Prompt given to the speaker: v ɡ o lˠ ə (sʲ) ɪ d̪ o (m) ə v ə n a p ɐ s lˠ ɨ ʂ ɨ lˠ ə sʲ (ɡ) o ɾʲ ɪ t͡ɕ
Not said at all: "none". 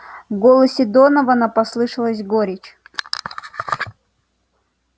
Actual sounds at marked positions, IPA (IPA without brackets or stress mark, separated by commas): sʲ, n, ɡ